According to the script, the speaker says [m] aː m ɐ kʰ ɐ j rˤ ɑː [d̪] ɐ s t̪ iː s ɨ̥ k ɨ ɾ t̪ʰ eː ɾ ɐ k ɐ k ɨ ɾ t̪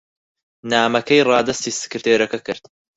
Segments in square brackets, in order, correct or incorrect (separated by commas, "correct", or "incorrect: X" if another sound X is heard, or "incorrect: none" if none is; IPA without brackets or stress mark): incorrect: n, correct